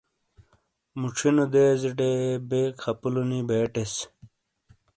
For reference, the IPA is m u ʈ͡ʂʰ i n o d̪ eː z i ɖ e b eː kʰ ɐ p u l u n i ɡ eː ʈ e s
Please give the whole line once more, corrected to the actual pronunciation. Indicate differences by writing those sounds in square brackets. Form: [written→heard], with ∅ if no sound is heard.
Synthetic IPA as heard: m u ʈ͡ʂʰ i n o d̪ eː z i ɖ e b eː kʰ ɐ p u l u n i [ɡ→b] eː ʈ e s